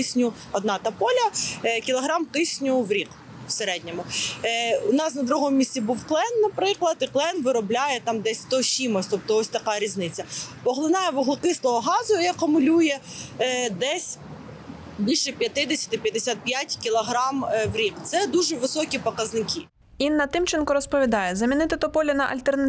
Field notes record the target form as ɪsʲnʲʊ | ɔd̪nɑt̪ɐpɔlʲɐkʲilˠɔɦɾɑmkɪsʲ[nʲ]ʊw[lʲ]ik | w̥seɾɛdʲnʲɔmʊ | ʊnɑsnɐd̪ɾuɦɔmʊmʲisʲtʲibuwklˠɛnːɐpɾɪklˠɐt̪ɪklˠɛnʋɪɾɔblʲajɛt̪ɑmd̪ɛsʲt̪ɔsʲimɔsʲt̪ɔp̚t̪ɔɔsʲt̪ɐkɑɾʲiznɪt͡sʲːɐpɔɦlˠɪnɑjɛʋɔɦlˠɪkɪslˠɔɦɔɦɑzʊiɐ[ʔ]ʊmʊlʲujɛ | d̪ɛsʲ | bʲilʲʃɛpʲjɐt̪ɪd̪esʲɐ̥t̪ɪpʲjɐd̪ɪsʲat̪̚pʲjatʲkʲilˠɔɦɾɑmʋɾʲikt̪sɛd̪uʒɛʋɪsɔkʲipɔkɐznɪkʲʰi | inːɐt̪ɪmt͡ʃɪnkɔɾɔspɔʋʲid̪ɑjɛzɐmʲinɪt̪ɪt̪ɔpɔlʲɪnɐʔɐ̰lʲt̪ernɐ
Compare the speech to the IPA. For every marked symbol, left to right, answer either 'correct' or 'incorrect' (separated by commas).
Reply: correct, incorrect, incorrect